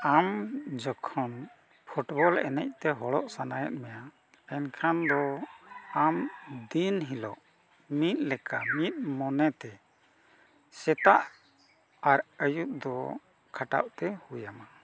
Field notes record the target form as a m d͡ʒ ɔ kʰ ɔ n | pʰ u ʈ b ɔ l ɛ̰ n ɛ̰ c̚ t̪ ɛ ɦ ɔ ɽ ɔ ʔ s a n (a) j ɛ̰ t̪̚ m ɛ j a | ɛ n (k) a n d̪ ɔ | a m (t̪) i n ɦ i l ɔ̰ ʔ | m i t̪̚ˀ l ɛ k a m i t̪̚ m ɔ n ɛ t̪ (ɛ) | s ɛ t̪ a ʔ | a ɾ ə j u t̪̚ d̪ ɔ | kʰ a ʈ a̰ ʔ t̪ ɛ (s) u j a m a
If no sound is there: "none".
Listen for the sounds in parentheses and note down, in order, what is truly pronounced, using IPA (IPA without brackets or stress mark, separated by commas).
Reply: a, kʰ, d̪, ɛ, h